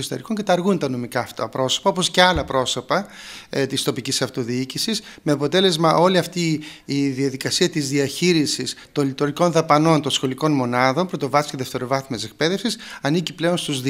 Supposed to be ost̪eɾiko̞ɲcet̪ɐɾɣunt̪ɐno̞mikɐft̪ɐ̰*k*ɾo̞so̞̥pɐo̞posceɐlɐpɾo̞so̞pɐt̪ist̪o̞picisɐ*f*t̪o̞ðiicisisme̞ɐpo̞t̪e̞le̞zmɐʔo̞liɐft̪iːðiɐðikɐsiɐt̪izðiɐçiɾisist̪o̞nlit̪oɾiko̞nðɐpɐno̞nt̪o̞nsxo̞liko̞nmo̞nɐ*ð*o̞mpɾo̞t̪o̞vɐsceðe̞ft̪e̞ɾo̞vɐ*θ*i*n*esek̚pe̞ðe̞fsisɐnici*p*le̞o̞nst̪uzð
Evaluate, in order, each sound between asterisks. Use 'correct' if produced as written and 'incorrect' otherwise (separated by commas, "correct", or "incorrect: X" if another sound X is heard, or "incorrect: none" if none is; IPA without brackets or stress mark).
incorrect: p, correct, correct, correct, incorrect: m, correct